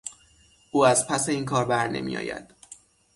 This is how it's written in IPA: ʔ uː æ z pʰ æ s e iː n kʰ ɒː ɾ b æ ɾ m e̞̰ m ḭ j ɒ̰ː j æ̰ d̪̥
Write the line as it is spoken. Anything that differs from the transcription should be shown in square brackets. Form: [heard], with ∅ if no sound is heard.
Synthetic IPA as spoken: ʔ uː æ z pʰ æ s e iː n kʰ ɒː ɾ b æ ɾ [n] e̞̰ m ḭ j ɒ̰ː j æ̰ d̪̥